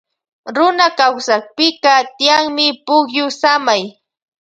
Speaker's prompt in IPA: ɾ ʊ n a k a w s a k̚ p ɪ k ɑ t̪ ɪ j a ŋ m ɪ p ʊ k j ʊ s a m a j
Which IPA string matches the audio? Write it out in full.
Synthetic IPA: ɾ ʊ n a k a w s a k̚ p ɪ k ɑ t̪ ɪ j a ŋ m ɪ p ʊ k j ʊ s a m a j